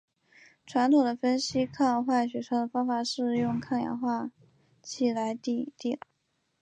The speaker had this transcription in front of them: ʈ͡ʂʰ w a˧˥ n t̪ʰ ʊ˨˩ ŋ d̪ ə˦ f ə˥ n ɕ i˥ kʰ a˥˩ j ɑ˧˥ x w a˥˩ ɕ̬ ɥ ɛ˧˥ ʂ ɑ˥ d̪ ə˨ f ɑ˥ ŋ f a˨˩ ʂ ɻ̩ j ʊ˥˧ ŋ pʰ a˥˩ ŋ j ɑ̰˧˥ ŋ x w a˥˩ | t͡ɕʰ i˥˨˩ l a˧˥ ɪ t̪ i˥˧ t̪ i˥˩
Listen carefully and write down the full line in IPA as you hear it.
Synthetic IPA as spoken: ʈ͡ʂʰ w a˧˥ n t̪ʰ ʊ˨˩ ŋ d̪ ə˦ f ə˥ n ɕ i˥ kʰ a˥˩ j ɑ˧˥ x w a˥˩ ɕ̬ ɥ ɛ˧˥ ʂ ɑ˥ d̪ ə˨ f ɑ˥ ŋ f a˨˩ ʂ ɻ̩ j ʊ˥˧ ŋ kʰ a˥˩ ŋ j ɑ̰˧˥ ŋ x w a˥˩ | t͡ɕʰ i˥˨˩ l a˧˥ ɪ t̪ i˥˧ t̪ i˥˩